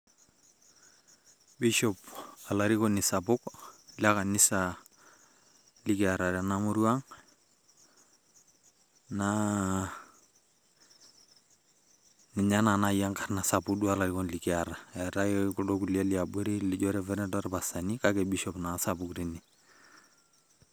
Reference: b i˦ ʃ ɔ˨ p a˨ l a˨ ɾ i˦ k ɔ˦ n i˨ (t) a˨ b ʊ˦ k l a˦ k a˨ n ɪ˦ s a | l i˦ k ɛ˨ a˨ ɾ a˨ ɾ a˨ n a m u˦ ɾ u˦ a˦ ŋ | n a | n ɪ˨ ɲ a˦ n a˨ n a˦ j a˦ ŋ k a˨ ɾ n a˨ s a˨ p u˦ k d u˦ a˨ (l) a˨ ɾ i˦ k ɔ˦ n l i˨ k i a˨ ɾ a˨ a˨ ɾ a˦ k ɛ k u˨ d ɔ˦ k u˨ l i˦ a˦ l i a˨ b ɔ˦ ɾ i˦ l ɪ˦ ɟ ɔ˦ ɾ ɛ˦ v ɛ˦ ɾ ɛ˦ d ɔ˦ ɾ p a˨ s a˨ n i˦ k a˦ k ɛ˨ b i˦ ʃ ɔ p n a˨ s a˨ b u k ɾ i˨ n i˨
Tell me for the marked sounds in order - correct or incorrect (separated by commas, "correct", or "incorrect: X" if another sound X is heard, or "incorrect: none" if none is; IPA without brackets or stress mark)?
incorrect: s, correct